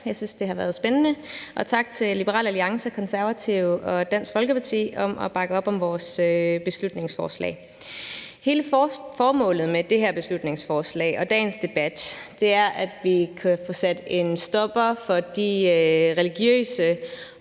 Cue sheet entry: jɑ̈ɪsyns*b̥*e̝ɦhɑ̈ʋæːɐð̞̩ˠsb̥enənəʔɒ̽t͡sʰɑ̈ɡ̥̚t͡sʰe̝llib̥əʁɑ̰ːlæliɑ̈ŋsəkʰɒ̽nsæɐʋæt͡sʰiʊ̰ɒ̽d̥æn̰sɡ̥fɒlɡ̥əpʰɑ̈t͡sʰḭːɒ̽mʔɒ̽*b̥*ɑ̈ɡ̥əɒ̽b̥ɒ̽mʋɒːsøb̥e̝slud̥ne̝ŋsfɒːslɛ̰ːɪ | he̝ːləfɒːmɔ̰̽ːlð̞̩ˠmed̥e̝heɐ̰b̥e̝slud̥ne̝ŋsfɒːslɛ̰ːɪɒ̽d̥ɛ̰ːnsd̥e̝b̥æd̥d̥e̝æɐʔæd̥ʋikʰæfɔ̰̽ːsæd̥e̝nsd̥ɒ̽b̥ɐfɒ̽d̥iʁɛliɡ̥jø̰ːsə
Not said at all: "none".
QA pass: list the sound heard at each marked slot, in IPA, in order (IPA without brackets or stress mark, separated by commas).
d̥, b̥